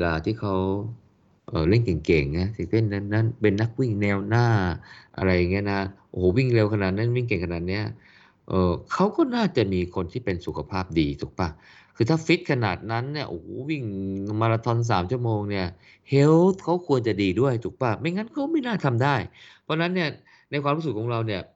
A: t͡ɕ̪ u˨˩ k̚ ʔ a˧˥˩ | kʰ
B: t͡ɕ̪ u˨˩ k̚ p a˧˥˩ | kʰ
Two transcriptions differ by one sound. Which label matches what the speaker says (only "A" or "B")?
B